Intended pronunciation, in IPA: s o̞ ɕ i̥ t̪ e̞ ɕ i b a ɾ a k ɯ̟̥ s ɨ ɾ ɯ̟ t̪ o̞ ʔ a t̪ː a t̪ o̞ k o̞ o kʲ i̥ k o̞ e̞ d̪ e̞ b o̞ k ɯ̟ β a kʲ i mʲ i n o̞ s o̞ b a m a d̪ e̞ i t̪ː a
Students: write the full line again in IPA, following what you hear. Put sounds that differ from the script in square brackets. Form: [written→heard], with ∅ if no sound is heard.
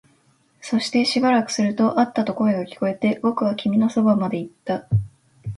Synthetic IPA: s o̞ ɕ i̥ t̪ e̞ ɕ i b a ɾ a k ɯ̟̥ s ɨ ɾ ɯ̟ t̪ o̞ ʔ a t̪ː a t̪ o̞ k o̞ o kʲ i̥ k o̞ e̞ [d̪→t̪] e̞ b o̞ k ɯ̟ β a kʲ i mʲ i n o̞ s o̞ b a m a d̪ e̞ i t̪ː a